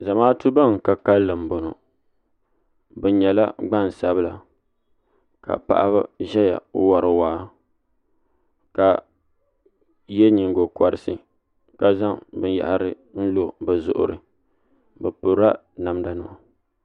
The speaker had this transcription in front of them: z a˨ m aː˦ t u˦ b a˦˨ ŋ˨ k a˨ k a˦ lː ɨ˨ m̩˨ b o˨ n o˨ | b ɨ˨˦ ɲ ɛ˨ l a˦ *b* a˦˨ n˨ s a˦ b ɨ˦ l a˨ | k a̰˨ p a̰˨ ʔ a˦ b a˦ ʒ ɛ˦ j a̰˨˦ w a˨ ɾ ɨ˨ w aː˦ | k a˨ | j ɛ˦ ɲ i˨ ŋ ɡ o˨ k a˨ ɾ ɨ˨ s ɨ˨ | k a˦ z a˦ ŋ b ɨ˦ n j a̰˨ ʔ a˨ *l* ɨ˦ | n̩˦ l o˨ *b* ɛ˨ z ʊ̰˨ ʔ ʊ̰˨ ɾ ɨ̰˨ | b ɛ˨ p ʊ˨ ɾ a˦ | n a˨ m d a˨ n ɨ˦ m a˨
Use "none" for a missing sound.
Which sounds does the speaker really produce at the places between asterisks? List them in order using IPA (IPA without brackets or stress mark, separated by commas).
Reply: ɡ͡b, ɾ, b